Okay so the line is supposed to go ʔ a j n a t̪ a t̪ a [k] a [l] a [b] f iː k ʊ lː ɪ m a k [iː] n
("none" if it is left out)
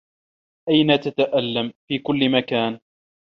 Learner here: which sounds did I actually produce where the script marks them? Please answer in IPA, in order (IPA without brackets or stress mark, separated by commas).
ʔ, lː, m, aː